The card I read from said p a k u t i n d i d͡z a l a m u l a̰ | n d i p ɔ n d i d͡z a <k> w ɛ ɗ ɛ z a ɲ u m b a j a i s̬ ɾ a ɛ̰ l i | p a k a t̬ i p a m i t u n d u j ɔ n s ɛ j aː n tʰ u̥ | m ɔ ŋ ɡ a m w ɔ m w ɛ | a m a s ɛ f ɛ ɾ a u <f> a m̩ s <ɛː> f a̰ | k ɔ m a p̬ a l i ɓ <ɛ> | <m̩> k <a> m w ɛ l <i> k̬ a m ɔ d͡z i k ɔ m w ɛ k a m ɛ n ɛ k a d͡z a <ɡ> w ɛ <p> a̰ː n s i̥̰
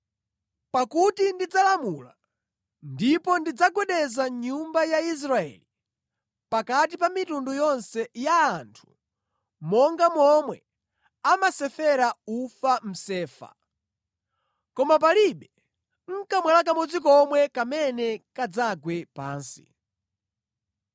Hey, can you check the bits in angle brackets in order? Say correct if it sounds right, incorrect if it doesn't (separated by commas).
incorrect, correct, correct, correct, incorrect, correct, incorrect, correct, correct